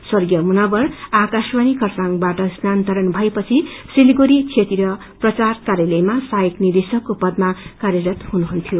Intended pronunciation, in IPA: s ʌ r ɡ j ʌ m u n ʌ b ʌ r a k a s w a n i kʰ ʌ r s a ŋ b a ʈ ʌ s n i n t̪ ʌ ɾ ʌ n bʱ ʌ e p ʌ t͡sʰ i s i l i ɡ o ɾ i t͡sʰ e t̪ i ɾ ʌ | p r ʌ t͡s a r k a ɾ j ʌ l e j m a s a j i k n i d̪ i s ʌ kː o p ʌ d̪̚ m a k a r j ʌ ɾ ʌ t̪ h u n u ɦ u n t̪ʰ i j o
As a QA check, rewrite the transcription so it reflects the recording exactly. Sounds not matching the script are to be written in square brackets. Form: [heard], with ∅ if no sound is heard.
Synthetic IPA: s ʌ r ɡ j ʌ m u n ʌ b ʌ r a k a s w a n i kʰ ʌ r s a ŋ b a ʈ ʌ s n [a] n t̪ ʌ ɾ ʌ n bʱ ʌ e p ʌ t͡sʰ i s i l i ɡ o ɾ i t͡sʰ e t̪ i ɾ ʌ | p r ʌ t͡s a r k a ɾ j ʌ l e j m a s a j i k n i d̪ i s ʌ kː o p ʌ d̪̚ m a k a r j ʌ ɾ ʌ t̪ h u n u ɦ u n t̪ʰ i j o